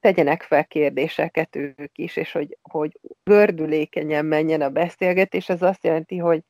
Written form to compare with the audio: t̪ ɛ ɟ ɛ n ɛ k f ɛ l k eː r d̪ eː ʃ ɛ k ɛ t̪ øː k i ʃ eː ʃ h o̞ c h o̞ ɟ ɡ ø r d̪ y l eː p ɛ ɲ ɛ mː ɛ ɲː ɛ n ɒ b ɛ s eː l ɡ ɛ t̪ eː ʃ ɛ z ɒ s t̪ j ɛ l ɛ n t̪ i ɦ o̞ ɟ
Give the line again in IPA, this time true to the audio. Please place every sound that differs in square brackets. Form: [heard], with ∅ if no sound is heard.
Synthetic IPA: t̪ ɛ ɟ ɛ n ɛ k f ɛ l k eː r d̪ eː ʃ ɛ k ɛ t̪ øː k i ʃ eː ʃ h o̞ [ɟ] h o̞ ɟ ɡ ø r d̪ y l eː [k] ɛ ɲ ɛ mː ɛ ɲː ɛ n ɒ b ɛ s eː l ɡ ɛ t̪ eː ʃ ɛ z ɒ s t̪ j ɛ l ɛ n t̪ i ɦ o̞ ɟ